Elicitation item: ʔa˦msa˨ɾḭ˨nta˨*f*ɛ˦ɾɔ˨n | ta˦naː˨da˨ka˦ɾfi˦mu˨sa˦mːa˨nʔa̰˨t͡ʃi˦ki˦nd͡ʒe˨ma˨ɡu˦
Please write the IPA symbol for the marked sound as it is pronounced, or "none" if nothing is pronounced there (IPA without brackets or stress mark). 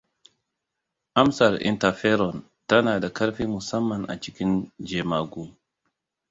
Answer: f